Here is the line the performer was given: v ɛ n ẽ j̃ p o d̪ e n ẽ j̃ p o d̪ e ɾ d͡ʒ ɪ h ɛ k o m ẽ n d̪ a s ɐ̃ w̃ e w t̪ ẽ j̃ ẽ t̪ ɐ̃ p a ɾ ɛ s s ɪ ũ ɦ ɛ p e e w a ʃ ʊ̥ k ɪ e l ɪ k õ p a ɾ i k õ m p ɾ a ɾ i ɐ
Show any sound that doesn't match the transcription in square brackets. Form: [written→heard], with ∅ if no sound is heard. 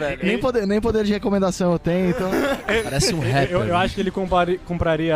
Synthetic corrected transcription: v ɛ n ẽ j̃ p o d̪ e n ẽ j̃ p o d̪ e ɾ d͡ʒ ɪ h [ɛ→e] k o m ẽ n d̪ a s ɐ̃ w̃ e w t̪ ẽ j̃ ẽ t̪ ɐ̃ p a ɾ ɛ s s ɪ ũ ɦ ɛ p e e w a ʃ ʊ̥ k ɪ e l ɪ k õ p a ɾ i k õ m p ɾ a ɾ i ɐ